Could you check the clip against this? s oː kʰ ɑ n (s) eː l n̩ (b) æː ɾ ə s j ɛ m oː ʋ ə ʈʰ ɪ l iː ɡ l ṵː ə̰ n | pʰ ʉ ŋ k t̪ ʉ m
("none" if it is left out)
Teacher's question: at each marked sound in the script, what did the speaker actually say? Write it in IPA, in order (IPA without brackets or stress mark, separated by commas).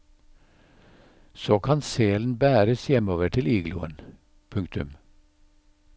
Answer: s, b